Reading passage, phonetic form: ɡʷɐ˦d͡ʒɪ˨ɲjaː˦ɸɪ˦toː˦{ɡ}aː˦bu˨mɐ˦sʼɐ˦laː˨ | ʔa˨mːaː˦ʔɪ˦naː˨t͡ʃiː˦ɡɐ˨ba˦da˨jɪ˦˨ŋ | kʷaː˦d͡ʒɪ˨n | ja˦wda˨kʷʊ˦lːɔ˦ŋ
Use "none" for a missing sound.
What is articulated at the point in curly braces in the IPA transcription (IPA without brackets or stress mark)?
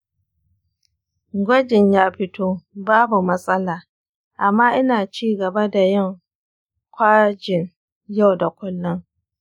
b